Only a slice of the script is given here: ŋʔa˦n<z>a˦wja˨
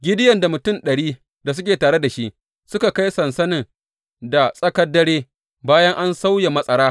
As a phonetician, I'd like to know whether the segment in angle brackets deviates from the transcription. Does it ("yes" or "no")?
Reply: yes